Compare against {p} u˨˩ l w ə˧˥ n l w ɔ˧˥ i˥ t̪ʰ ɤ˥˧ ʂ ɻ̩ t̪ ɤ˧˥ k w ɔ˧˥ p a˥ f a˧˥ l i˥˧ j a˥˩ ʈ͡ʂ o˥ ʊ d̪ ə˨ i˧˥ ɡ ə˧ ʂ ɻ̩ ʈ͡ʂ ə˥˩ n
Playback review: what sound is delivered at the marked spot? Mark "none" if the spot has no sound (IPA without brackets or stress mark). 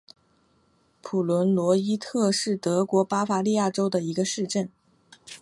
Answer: pʰ